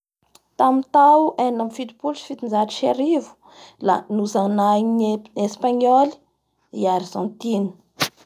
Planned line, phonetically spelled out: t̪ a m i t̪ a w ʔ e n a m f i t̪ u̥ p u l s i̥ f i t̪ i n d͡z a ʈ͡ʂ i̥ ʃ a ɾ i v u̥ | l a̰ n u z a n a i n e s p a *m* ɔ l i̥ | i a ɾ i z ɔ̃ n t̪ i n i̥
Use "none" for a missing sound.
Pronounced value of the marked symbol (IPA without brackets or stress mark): ɲ